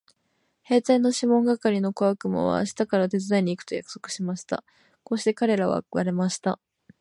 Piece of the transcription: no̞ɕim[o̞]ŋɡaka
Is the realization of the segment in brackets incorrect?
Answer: yes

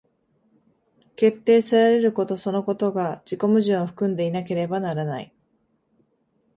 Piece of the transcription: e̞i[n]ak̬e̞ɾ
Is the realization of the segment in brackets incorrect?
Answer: no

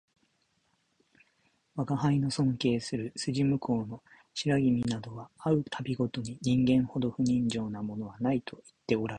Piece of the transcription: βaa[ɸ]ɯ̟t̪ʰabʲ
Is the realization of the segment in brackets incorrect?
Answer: yes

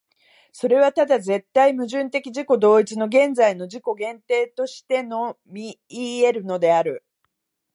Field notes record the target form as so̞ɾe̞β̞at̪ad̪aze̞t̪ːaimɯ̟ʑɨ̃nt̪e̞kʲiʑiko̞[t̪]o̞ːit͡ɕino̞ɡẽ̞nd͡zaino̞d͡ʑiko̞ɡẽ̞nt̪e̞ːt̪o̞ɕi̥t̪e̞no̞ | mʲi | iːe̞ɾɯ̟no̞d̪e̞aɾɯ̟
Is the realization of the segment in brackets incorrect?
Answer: yes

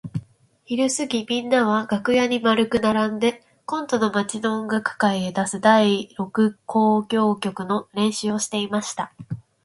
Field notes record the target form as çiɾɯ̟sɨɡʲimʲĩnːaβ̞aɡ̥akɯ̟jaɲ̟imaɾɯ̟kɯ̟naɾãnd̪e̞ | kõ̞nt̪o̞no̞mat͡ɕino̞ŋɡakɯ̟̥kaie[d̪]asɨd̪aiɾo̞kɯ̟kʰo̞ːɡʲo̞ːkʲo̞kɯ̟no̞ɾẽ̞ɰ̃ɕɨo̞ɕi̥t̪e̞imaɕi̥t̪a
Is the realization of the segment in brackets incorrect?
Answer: no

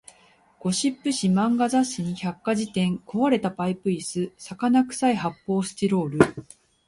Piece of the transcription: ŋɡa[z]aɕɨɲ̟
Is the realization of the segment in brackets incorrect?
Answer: no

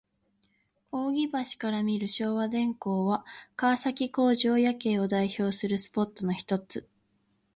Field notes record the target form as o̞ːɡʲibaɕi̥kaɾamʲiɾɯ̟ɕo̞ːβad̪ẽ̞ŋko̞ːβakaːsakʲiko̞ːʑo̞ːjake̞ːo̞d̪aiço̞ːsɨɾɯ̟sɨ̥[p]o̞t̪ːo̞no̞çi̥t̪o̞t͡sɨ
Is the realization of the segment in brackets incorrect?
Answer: no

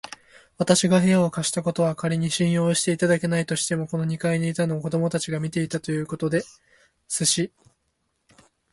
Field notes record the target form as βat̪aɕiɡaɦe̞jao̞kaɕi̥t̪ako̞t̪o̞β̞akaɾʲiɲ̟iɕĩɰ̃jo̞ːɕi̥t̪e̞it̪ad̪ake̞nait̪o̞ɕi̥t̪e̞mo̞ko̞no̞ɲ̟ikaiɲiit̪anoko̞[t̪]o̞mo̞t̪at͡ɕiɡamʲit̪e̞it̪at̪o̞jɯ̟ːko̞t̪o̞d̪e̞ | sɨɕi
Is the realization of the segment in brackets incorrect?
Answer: yes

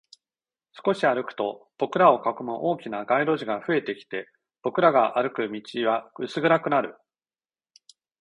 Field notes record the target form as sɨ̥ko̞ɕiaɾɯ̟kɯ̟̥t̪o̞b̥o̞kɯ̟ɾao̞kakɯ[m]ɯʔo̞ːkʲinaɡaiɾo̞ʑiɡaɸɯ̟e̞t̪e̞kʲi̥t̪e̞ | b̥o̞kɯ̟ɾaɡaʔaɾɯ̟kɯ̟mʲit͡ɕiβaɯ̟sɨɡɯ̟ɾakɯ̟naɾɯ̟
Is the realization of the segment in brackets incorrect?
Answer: no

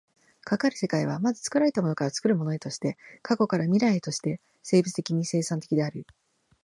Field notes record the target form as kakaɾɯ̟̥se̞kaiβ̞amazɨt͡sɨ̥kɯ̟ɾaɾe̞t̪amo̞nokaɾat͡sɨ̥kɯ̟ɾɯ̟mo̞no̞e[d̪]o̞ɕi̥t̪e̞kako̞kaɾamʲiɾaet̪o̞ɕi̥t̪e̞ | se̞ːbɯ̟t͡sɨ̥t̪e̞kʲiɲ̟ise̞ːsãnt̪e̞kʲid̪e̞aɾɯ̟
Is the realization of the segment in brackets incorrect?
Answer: yes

